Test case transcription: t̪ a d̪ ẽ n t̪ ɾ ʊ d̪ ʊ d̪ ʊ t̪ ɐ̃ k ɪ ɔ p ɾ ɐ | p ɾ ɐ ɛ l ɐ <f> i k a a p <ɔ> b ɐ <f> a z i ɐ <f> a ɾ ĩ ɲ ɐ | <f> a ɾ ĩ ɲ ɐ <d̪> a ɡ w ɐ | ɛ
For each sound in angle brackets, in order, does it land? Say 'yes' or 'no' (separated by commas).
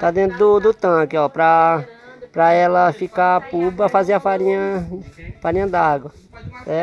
yes, no, yes, yes, yes, yes